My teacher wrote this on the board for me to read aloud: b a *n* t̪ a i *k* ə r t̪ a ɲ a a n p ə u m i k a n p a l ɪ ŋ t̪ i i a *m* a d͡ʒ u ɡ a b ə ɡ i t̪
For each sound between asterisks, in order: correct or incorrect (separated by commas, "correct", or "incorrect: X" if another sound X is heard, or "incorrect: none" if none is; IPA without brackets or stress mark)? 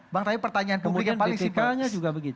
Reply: incorrect: ŋ, incorrect: p, incorrect: ɲ